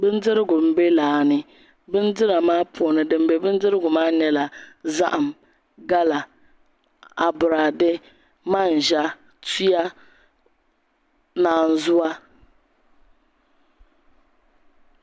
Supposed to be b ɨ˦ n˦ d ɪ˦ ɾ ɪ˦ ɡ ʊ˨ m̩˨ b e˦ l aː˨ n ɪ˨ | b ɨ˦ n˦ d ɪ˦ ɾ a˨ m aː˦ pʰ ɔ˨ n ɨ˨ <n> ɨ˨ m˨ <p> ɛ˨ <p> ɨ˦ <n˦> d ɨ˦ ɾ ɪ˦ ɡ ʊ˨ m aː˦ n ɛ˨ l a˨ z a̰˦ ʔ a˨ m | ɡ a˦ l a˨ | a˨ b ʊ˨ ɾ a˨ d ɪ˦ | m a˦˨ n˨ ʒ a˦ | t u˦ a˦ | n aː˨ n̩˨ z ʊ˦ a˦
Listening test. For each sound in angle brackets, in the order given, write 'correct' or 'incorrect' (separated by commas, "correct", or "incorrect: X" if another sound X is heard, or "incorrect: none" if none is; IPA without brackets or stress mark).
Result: incorrect: d, incorrect: b, incorrect: b, correct